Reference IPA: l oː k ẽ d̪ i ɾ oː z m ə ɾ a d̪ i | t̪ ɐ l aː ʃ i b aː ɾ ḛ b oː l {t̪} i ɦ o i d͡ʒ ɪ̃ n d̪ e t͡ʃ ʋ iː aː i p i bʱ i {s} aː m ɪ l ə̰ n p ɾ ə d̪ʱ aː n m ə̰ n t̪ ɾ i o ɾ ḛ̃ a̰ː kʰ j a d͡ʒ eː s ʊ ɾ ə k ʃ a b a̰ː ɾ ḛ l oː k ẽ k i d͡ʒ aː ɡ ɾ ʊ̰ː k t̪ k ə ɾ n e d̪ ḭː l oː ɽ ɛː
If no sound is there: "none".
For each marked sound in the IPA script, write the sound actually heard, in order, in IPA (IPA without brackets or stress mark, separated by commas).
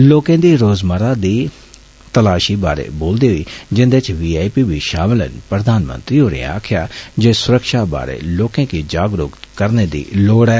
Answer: d̪, ʃ